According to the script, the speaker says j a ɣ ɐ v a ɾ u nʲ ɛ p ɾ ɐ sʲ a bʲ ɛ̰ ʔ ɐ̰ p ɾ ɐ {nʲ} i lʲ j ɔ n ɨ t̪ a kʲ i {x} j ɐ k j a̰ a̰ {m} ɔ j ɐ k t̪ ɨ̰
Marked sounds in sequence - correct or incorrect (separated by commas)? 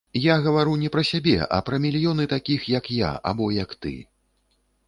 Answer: incorrect, correct, incorrect